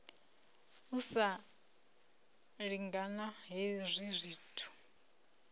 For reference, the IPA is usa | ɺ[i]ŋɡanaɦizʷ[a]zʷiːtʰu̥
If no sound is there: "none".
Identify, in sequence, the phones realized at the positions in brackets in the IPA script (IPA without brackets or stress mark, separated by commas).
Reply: i, i